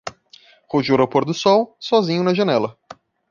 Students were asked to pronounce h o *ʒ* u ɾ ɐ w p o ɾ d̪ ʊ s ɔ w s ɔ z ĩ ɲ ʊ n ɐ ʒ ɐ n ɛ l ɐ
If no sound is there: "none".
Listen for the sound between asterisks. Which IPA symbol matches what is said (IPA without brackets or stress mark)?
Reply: ʒ